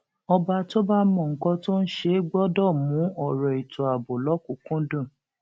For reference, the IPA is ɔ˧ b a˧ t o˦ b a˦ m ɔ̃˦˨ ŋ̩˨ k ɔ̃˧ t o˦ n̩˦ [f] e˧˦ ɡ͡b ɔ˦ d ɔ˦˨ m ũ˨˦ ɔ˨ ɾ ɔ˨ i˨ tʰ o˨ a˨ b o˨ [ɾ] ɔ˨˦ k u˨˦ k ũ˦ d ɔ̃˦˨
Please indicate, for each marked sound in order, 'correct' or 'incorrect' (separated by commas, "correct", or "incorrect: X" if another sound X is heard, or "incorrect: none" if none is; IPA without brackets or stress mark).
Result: incorrect: ʃ, incorrect: l